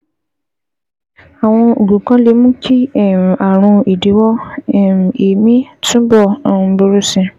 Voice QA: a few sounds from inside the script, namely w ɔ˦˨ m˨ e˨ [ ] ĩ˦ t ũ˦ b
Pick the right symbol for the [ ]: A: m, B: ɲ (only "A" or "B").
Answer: A